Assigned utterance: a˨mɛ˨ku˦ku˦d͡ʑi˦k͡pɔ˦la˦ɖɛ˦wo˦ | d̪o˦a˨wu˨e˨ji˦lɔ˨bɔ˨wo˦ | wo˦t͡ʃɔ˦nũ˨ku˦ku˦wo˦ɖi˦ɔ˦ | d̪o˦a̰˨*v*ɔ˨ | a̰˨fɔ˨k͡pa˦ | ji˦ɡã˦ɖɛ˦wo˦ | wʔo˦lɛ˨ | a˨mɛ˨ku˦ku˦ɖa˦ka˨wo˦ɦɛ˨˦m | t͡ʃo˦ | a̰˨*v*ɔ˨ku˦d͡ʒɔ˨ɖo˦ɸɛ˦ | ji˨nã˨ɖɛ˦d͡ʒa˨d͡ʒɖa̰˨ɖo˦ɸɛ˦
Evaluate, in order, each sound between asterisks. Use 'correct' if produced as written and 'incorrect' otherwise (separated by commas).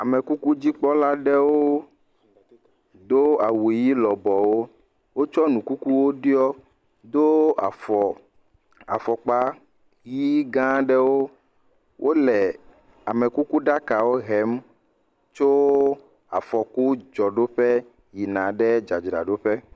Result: incorrect, incorrect